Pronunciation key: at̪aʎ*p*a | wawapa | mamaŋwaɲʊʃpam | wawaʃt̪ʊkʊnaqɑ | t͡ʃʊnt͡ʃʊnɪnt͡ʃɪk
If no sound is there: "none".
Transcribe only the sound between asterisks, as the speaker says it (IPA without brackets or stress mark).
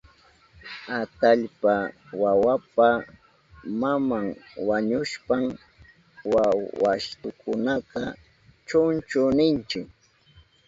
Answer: p